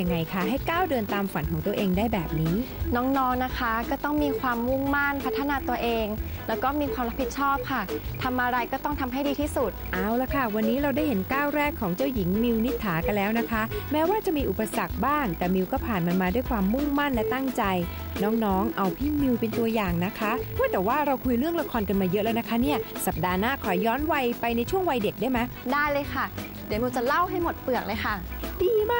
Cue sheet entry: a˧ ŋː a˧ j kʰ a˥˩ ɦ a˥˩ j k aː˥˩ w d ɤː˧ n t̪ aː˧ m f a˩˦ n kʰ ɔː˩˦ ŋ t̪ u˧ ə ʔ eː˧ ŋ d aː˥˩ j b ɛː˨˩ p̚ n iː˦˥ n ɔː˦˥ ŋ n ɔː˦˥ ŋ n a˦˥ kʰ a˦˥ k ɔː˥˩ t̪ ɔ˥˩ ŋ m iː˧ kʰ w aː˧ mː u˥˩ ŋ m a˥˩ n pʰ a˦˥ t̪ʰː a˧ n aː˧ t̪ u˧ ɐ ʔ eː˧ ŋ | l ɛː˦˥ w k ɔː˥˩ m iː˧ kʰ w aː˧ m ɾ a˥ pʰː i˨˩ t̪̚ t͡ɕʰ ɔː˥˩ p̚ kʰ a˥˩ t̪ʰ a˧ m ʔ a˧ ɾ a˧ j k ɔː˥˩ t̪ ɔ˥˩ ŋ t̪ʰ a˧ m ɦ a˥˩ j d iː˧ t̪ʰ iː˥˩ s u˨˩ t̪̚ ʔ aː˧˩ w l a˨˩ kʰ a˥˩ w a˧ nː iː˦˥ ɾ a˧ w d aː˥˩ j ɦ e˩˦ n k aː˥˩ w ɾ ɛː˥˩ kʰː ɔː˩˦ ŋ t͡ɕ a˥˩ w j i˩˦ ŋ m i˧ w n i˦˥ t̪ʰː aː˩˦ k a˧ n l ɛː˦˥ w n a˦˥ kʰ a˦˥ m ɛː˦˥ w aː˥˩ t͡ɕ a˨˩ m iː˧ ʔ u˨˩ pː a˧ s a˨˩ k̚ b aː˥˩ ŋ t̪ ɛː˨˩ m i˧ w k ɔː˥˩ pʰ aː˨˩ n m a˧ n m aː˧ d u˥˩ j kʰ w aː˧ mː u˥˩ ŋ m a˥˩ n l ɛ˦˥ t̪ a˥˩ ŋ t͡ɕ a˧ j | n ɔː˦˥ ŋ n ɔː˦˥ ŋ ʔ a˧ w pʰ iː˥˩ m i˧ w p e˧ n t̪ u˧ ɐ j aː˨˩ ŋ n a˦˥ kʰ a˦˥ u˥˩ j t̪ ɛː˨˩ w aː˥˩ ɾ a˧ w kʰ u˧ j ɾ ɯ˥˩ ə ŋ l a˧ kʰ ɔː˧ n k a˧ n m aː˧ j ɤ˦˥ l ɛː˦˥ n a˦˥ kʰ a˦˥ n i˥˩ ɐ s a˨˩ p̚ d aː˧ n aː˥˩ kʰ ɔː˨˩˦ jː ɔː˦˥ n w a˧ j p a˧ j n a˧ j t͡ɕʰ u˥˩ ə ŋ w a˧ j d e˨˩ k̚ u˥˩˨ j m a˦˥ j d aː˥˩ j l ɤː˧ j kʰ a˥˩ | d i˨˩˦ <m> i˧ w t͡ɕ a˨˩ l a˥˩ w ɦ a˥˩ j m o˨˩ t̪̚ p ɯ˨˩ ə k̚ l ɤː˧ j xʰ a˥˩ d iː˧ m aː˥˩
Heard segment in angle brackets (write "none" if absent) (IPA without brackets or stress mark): m